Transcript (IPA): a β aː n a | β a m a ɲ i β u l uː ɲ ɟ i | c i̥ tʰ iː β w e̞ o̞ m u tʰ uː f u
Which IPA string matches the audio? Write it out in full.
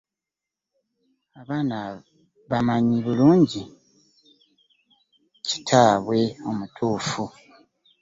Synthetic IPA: a β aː n a | β a m a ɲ i β u l uː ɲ ɟ i | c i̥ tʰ aː β w e̞ o̞ m u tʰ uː f u